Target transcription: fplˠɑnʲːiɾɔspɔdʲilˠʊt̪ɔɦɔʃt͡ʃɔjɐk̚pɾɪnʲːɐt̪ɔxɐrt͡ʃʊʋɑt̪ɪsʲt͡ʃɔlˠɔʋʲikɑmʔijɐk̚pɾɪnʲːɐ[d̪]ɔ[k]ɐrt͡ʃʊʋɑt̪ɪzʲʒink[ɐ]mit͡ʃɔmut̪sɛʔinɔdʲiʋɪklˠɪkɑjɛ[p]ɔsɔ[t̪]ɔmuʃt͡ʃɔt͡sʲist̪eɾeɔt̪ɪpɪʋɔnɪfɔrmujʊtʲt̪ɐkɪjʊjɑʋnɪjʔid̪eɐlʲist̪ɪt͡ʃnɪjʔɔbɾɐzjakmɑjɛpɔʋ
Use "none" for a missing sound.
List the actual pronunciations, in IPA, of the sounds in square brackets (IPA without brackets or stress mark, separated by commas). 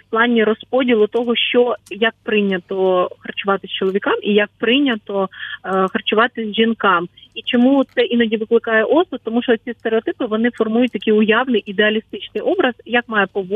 t̪, x, ɑ, ʔ, t̪